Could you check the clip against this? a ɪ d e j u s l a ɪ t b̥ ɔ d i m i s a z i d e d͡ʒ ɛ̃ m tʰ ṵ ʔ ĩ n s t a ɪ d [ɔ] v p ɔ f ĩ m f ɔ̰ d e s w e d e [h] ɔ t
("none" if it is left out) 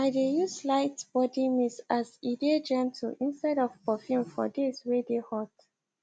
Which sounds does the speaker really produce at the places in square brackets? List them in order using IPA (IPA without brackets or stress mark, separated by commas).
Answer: ɔ, h